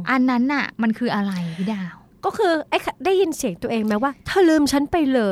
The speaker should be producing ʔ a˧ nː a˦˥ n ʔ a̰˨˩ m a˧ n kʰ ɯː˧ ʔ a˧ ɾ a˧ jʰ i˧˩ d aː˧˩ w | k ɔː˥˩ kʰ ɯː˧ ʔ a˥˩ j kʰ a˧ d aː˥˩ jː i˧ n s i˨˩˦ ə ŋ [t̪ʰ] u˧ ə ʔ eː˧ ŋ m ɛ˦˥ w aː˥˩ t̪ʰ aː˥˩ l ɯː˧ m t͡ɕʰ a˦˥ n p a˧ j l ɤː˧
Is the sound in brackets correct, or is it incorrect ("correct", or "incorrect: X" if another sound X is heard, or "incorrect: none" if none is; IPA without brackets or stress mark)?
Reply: incorrect: t̪